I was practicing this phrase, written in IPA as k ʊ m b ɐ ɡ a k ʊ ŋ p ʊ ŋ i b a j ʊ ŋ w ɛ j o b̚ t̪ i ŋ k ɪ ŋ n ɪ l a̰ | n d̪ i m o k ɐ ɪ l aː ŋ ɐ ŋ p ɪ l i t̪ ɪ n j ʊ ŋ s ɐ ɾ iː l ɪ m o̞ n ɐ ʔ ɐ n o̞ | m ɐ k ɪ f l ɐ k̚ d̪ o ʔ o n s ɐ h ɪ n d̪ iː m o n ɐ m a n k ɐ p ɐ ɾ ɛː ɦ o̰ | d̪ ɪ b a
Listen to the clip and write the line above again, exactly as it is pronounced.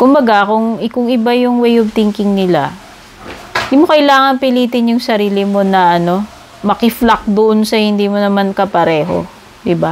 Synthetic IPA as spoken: k ʊ m b ɐ ɡ a k ʊ ŋ k ʊ ŋ ɪ b a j ʊ ŋ w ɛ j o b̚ t̪ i ŋ k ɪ ŋ n ɪ l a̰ | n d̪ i m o k ɐ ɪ l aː ŋ ɐ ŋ p ɪ l iː t̪ ɪ n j ʊ ŋ s ɐ ɾ iː l ɪ m o̞ n ɐ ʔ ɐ n o̞ | m ɐ k ɪ f l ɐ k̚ d̪ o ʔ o n s ɐ h ɪ n d̪ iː m o n ɐ m a n k ɐ p ɐ ɾ ɛː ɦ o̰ | d̪ ɪ b a